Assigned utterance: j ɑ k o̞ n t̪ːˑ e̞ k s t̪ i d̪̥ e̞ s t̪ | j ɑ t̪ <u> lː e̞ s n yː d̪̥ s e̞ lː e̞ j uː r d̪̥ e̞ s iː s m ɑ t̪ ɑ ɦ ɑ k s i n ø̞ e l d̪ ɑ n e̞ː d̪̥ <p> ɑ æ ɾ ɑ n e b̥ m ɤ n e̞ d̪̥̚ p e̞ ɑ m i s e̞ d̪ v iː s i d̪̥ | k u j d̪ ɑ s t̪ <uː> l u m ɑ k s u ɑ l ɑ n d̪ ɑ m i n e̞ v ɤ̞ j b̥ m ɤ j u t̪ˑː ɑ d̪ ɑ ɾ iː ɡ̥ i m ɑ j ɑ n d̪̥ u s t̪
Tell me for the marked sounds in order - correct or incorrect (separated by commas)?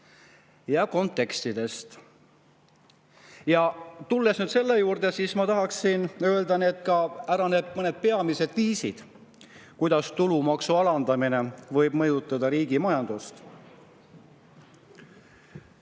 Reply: correct, incorrect, incorrect